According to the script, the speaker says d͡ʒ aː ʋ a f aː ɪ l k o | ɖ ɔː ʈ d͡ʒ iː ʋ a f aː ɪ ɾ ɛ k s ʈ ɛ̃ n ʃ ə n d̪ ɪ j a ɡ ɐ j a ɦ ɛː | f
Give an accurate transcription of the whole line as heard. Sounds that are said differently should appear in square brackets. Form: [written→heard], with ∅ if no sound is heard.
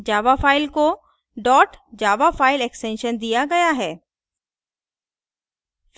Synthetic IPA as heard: d͡ʒ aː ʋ a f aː ɪ l k o | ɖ ɔː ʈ d͡ʒ [iː→aː] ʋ a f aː ɪ [ɾ→l] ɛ k s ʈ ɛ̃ n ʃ ə n d̪ [ɪ→i] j a ɡ ɐ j a ɦ ɛː | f

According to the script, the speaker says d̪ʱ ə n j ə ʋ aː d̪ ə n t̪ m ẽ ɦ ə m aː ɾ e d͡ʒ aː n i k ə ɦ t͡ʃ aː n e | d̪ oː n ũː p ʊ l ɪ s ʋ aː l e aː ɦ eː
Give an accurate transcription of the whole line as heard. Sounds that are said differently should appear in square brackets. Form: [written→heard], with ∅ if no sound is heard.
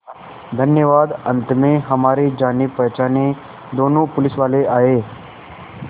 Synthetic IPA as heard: d̪ʱ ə n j ə ʋ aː d̪ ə n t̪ m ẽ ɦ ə m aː ɾ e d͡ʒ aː n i [k→p] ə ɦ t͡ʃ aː n e | d̪ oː n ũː p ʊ l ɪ s ʋ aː l e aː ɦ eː

